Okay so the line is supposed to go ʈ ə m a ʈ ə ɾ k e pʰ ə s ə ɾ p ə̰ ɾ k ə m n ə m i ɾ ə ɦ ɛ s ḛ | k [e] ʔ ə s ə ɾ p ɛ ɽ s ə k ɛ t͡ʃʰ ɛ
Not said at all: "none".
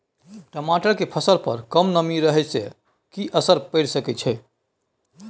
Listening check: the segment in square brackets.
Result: i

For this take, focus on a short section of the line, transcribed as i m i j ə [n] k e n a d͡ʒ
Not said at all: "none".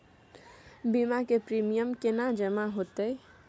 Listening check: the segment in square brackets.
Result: m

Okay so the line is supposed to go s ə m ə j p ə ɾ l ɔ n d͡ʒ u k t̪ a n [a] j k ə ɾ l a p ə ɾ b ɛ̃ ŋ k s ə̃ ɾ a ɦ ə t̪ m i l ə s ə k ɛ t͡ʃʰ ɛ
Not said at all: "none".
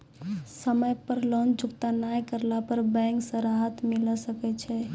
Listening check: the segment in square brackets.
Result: a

